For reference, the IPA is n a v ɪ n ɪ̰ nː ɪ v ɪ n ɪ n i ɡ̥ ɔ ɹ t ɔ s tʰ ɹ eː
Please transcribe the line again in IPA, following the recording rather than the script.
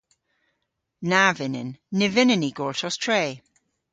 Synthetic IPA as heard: n a v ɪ n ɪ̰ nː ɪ v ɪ n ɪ n i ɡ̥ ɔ ɹ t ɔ s tʰ ɹ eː